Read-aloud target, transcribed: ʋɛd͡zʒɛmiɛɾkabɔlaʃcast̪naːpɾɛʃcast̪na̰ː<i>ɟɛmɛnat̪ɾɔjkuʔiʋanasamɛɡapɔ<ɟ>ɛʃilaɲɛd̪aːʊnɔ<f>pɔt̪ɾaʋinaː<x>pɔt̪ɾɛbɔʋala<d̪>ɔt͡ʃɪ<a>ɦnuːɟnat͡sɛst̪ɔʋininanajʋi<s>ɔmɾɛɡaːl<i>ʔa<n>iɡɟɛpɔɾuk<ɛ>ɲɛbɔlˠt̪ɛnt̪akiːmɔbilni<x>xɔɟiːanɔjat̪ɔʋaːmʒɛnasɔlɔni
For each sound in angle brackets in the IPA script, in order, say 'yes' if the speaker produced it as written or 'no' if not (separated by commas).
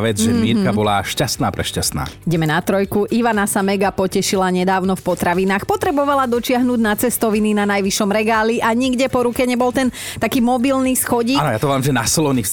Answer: yes, no, yes, yes, yes, yes, no, yes, no, yes, no